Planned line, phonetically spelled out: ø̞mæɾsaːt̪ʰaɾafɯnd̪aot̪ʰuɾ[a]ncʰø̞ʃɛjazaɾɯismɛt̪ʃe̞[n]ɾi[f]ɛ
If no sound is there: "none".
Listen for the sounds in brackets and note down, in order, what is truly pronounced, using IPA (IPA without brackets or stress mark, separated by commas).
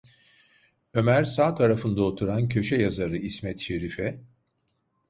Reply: a, none, f